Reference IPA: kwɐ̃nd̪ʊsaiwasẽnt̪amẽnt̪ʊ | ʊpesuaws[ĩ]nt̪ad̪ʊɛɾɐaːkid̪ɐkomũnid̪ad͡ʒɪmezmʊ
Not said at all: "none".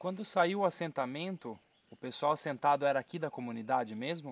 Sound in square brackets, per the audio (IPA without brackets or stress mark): ẽ